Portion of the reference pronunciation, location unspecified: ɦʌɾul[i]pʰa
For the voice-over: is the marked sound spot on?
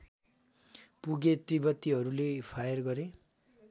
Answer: no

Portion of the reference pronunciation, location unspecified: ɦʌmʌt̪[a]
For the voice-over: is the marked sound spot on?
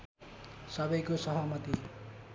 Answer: no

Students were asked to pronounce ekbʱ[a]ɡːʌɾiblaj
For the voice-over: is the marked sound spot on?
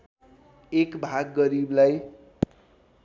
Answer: yes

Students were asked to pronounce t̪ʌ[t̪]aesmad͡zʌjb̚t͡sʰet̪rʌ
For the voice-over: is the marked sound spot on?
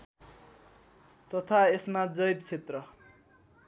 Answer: no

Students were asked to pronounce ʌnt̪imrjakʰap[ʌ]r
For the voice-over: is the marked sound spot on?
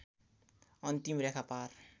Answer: no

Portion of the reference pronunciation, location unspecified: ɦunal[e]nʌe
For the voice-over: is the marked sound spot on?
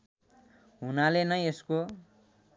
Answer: yes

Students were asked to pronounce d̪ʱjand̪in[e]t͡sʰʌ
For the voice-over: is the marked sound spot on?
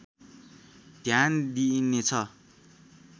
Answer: yes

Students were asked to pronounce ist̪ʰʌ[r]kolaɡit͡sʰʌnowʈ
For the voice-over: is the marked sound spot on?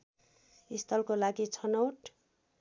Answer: no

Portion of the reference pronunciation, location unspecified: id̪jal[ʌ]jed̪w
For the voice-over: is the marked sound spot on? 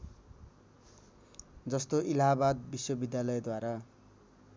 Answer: yes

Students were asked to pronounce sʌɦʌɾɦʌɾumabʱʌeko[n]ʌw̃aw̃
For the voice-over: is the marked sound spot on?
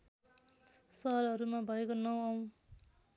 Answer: yes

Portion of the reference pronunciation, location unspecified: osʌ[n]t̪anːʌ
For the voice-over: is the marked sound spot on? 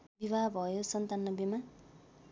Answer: yes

